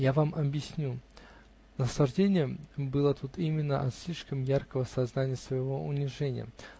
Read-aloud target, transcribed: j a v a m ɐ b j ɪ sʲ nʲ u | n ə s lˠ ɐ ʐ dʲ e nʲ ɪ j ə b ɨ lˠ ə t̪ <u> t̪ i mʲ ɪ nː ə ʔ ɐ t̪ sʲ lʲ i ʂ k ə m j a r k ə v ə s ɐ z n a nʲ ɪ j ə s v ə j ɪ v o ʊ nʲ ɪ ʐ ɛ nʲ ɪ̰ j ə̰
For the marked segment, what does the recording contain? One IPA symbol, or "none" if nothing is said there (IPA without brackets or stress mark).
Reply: u